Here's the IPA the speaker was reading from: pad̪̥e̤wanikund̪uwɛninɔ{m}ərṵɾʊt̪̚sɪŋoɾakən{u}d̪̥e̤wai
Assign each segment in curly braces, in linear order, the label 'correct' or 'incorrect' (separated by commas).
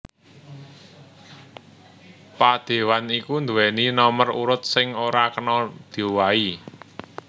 correct, incorrect